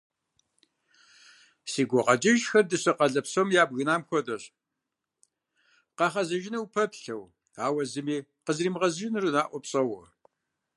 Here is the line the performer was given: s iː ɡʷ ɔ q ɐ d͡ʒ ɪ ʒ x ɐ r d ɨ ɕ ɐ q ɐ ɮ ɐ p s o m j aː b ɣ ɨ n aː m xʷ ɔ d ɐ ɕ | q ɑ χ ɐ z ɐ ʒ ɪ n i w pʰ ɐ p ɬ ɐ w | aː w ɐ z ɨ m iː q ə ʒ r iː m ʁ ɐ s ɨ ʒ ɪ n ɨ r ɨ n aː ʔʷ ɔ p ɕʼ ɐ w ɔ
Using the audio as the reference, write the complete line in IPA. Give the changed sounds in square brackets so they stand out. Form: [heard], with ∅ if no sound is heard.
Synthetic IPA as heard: s iː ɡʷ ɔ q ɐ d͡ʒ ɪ ʒ x ɐ r d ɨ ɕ ɐ q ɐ ɮ ɐ p s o m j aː b ɣ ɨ n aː m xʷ ɔ d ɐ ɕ | q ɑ χ ɐ z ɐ ʒ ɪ n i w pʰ ɐ p ɬ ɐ w | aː w ɐ z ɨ m iː q ə [z] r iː m ʁ ɐ [z] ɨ ʒ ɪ n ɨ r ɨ n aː ʔʷ ɔ p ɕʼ ɐ w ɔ